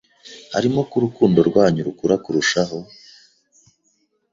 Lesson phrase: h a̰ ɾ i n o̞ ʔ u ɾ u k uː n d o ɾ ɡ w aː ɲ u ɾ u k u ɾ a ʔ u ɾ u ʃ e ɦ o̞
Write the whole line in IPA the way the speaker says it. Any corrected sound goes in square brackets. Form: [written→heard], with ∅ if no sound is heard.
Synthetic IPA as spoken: h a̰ ɾ i [n→m] o̞ [ʔ→k] u ɾ u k uː n d o ɾ ɡ w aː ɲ u ɾ u k u ɾ a [ʔ→k] u ɾ u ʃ [e→a] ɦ o̞